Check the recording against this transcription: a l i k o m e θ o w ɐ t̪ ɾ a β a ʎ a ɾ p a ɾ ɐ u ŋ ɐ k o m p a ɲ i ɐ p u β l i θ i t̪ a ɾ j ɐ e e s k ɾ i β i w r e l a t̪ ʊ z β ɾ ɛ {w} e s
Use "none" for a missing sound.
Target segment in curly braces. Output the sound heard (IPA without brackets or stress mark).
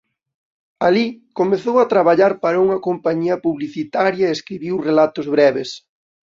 β